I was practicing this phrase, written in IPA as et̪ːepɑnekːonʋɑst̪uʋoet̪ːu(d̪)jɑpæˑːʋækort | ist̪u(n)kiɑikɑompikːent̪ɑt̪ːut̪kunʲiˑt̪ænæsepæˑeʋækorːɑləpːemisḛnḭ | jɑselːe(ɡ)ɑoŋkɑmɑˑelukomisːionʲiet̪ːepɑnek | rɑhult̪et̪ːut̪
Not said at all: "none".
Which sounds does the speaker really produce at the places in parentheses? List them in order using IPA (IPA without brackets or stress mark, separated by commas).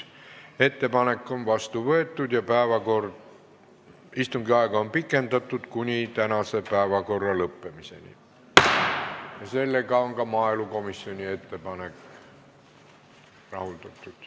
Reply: t̪, ŋ, k